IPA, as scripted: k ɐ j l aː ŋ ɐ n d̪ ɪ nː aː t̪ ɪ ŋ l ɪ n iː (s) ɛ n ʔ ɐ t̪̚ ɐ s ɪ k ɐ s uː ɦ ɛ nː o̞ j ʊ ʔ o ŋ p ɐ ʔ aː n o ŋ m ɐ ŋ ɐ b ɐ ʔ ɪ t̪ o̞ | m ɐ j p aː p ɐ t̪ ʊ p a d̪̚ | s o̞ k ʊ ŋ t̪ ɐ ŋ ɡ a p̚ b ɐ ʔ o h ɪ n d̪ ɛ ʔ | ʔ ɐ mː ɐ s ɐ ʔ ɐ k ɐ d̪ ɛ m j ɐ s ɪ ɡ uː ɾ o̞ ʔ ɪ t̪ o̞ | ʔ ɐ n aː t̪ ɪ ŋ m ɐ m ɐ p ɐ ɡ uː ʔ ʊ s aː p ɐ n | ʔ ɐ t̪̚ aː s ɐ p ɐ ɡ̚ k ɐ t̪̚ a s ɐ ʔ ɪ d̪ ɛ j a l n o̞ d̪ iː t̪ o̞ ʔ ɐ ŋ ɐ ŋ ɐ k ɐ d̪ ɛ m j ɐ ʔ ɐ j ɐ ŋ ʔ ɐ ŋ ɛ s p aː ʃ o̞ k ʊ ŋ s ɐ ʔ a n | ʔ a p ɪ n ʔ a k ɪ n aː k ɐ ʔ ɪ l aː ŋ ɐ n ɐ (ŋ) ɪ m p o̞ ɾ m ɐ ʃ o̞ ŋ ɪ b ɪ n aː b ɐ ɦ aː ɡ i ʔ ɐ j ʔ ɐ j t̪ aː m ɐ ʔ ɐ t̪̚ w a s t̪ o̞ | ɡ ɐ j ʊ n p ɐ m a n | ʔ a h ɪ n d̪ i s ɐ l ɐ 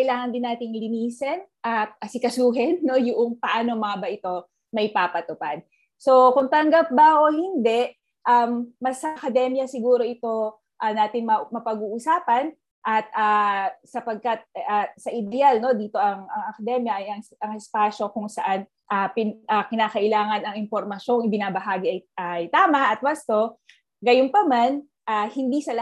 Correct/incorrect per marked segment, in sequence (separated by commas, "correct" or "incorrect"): correct, correct